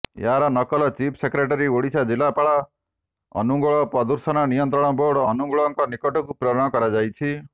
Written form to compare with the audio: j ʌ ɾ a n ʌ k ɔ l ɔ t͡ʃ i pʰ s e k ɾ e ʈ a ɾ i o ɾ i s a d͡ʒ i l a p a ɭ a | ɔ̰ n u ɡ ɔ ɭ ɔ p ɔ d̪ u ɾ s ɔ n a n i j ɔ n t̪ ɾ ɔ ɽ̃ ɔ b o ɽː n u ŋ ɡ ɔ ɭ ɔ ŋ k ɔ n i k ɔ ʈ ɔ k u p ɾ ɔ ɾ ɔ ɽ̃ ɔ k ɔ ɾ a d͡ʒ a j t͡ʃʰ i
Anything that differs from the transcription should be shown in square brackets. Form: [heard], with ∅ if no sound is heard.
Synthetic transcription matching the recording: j [a] ɾ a n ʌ k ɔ l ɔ t͡ʃ i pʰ s e k ɾ e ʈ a ɾ i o [ɽ] i s a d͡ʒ i l a p a ɭ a | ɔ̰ n u ɡ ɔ ɭ ɔ p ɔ d̪ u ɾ s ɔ n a n i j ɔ n t̪ ɾ ɔ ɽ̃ ɔ b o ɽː n u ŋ ɡ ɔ ɭ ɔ ŋ k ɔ n i k ɔ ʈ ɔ k u p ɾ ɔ ɾ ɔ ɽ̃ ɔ k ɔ ɾ a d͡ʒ a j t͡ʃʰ i